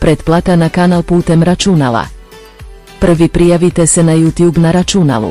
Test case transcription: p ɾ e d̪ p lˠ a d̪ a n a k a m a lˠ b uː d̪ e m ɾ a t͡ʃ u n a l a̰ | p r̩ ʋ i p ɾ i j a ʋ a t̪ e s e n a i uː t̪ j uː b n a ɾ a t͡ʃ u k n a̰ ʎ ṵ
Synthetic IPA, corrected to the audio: p ɾ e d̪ p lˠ a t̪ a n a k a n a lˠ p uː t̪ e m ɾ a t͡ʃ u n a l a̰ | p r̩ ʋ i p ɾ i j a ʋ i t̪ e s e n a j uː t̪ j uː b n a ɾ a t͡ʃ u n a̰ l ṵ